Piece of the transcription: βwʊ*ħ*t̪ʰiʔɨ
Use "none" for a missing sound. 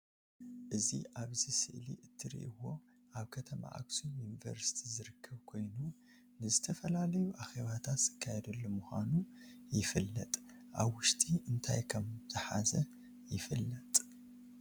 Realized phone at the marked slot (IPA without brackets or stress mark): ʃ